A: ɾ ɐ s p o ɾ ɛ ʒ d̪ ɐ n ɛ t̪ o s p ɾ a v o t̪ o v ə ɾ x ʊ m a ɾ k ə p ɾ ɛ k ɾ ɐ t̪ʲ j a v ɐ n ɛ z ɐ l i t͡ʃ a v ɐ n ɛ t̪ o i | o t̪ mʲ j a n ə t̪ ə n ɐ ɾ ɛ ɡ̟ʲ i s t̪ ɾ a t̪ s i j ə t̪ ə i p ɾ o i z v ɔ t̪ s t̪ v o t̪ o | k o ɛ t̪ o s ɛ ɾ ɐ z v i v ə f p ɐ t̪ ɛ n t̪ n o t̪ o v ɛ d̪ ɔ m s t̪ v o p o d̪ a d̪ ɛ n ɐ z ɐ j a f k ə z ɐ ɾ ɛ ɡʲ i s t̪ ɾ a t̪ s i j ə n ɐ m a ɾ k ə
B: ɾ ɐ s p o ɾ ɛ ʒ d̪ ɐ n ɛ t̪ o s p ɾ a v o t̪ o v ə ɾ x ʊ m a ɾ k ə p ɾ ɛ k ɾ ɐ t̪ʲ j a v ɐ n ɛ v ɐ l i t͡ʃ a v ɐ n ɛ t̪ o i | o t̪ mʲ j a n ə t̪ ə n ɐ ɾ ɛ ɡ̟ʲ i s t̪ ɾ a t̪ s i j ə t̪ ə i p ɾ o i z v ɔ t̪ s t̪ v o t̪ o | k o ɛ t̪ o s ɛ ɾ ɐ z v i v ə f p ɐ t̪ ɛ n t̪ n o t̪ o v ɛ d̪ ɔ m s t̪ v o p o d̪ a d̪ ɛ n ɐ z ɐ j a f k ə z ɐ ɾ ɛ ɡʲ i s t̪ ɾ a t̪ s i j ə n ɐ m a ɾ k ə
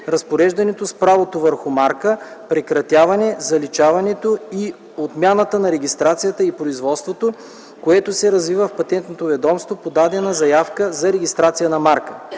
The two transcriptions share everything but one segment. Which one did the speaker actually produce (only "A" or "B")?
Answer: A